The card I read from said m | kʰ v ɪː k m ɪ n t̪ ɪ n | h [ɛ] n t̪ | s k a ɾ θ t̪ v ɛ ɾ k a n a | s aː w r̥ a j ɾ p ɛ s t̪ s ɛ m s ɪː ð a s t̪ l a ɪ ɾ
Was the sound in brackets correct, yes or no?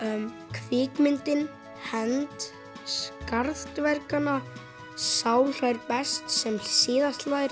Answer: yes